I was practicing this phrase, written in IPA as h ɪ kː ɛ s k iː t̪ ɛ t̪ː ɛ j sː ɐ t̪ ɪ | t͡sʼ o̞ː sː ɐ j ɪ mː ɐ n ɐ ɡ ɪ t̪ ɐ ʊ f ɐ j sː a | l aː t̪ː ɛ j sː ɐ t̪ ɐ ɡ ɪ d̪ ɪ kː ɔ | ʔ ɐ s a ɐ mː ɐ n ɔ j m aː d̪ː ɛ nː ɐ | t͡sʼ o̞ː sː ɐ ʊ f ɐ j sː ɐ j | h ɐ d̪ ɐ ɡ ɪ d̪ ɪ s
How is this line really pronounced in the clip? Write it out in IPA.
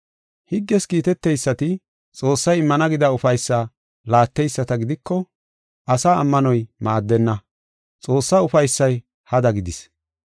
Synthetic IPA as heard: h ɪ ɡː ɛ s k iː t̪ ɛ t̪ː ɛ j sː ɐ t̪ ɪ | t͡sʼ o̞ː sː ɐ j ɪ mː ɐ n ɐ ɡ ɪ d̪ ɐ ʊ f ɐ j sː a | l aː t̪ː ɛ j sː ɐ t̪ ɐ ɡ ɪ d̪ ɪ kː ɔ | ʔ ɐ s a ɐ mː ɐ n ɔ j m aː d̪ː ɛ nː ɐ | t͡sʼ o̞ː sː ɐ ʊ f ɐ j sː ɐ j | h ɐ d̪ ɐ ɡ ɪ d̪ ɪ s

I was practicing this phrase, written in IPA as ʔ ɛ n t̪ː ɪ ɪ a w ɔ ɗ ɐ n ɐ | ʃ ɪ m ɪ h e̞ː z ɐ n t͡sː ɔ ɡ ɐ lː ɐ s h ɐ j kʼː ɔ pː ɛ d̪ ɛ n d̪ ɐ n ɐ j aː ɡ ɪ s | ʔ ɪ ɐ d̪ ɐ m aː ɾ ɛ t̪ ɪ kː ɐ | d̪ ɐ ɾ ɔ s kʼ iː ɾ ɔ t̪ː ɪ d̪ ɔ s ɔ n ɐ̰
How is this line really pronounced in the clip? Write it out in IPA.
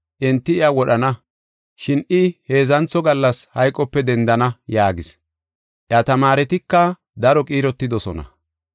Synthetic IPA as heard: ʔ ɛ n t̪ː ɪ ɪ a w ɔ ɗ ɐ n ɐ | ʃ ɪ n ɪ h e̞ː z ɐ n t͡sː ɔ ɡ ɐ lː ɐ s h ɐ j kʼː ɔ pː ɛ d̪ ɛ n d̪ ɐ n ɐ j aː ɡ ɪ s | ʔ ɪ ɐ t̪ ɐ m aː ɾ ɛ t̪ ɪ kː ɐ | d̪ ɐ ɾ ɔ kʼ iː ɾ ɔ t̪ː ɪ d̪ ɔ s ɔ n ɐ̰

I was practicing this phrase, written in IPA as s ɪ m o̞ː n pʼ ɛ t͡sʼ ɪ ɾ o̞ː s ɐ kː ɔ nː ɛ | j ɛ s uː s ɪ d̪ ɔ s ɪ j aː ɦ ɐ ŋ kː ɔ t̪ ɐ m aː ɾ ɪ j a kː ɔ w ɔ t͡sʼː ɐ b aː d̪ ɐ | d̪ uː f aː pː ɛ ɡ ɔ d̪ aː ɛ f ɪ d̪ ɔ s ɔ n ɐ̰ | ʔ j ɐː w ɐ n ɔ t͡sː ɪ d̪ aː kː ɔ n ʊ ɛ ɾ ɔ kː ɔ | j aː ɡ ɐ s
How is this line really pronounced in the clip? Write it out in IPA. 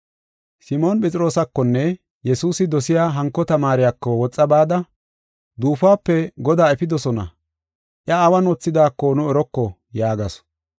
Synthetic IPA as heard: s ɪ m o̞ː n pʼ ɛ t͡sʼ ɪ ɾ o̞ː s ɐ kː ɔ nː ɛ | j ɛ s uː s ɪ d̪ ɔ s ɪ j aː ɦ ɐ ŋ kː ɔ t̪ ɐ m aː ɾ ɪ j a kː ɔ w ɔ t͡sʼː ɐ b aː d̪ ɐ | d̪ uː f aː pː ɛ ɡ ɔ d̪ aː ɛ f ɪ d̪ ɔ s ɔ n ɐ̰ | ʔ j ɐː w ɐ n ɔ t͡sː ɪ d̪ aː kː ɔ n ʊ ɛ ɾ ɔ kː ɔ | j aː ɡ ɐ s

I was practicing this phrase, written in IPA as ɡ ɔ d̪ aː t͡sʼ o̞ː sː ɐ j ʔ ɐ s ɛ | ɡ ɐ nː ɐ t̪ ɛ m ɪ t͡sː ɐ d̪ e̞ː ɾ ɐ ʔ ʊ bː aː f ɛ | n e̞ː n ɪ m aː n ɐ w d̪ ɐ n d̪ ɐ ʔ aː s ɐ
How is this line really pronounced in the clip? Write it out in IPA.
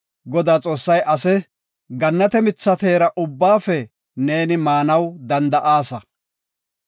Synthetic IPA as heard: ɡ ɔ d̪ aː t͡sʼ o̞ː sː ɐ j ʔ ɐ s ɛ | ɡ ɐ nː ɐ t̪ ɛ m ɪ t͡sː ɐ t̪ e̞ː ɾ ɐ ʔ ʊ bː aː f ɛ | n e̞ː n ɪ m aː n ɐ w d̪ ɐ n d̪ ɐ ʔ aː s ɐ

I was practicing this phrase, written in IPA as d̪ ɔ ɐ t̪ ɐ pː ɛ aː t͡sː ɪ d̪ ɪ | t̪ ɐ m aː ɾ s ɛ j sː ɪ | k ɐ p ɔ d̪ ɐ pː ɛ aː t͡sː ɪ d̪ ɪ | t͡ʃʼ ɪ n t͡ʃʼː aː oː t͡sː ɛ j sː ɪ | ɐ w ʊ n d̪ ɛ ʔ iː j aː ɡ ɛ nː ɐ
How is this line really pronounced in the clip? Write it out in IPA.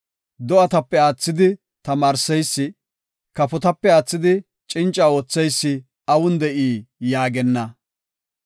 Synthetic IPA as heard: d̪ ɔ ɐ t̪ ɐ pː ɛ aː t͡sː ɪ d̪ ɪ | t̪ ɐ m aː ɾ s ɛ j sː ɪ | k ɐ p ɔ t̪ ɐ pː ɛ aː t͡sː ɪ d̪ ɪ | t͡ʃʼ ɪ n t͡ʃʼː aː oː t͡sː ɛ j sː ɪ | ɐ w ʊ n d̪ ɛ ʔ iː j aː ɡ ɛ nː ɐ

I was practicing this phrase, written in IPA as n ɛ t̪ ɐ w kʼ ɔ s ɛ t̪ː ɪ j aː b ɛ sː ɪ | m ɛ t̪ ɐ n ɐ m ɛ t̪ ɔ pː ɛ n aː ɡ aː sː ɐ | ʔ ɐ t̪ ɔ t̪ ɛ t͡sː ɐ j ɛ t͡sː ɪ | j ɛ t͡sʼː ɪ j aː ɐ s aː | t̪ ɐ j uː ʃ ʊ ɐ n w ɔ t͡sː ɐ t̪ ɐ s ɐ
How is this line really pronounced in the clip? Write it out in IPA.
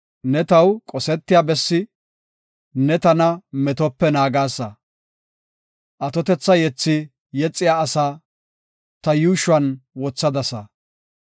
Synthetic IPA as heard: n ɛ t̪ ɐ w kʼ ɔ s ɛ t̪ː ɪ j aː b ɛ sː ɪ | n ɛ t̪ ɐ n ɐ m ɛ t̪ ɔ pː ɛ n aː ɡ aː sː ɐ | ʔ ɐ t̪ ɔ t̪ ɛ t͡sː ɐ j ɛ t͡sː ɪ | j ɛ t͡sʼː ɪ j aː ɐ s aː | t̪ ɐ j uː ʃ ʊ ɐ n w ɔ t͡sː ɐ d̪ ɐ s ɐ

